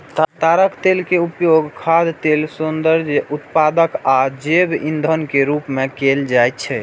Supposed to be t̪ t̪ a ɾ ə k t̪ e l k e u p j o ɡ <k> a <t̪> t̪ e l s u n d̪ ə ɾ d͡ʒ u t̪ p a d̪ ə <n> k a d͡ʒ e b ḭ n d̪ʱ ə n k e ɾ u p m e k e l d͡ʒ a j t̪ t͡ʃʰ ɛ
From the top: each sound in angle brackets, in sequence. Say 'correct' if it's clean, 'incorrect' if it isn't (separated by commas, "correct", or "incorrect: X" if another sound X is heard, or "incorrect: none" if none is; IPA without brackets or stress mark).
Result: incorrect: kʰ, incorrect: d̪, incorrect: none